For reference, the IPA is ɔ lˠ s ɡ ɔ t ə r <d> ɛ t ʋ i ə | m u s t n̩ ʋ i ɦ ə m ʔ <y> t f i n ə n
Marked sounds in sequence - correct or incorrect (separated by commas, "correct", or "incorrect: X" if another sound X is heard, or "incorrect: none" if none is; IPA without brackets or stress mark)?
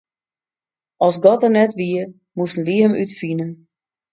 incorrect: n, correct